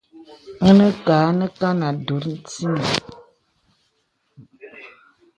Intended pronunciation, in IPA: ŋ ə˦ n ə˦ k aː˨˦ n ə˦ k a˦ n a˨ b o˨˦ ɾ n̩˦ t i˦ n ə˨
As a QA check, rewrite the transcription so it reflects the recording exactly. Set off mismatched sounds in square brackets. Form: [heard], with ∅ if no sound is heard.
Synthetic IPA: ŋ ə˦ n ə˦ k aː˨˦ n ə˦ k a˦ n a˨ [d] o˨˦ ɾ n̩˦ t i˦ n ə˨